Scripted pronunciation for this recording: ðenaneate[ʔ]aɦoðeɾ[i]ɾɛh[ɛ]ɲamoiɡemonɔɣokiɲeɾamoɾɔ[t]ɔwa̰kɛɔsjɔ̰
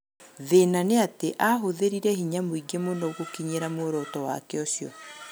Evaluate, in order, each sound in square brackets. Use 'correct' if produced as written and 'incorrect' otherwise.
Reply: correct, correct, incorrect, correct

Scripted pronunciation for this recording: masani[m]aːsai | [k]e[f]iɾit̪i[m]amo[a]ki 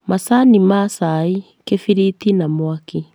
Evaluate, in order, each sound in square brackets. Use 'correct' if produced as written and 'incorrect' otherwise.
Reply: correct, correct, correct, incorrect, correct

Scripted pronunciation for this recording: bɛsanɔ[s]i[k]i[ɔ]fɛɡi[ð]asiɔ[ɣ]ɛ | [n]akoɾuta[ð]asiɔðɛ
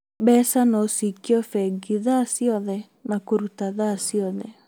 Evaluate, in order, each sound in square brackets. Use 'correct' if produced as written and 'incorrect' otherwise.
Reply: correct, correct, correct, correct, incorrect, correct, correct

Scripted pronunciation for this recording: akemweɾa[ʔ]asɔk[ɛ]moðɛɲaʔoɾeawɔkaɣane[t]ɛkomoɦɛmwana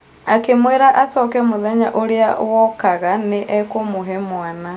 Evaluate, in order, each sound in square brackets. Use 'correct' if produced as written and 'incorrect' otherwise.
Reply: correct, correct, incorrect

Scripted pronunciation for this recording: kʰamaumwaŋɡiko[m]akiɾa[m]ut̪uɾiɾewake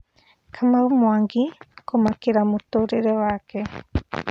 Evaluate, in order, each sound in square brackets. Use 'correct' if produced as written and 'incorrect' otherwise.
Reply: correct, correct

